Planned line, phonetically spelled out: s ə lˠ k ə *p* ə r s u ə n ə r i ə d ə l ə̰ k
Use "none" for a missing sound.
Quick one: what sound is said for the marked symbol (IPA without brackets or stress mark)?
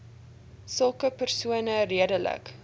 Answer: p